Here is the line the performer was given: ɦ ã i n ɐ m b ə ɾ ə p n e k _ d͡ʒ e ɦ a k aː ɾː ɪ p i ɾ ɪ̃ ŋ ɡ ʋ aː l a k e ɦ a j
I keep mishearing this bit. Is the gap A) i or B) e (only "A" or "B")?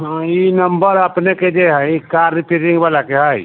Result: B